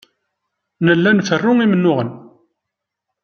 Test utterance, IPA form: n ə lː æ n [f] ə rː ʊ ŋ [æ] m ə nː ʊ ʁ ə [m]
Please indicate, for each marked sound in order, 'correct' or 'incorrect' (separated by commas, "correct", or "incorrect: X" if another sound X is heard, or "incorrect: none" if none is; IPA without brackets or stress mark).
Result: correct, incorrect: i, incorrect: n